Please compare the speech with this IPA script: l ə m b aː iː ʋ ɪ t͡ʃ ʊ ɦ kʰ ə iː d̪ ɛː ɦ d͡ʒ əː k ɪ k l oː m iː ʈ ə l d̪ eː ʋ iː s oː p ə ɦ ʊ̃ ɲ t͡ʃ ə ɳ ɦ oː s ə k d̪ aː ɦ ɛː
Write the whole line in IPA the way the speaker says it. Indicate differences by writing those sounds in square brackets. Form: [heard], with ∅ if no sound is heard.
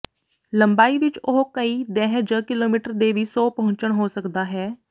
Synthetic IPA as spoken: l ə m b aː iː ʋ ɪ t͡ʃ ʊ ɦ [k] ə iː d̪ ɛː ɦ d͡ʒ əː k ɪ [∅] l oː m iː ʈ ə [ɾ] d̪ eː ʋ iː s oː p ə ɦ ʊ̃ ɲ t͡ʃ ə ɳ ɦ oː s ə k d̪ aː ɦ ɛː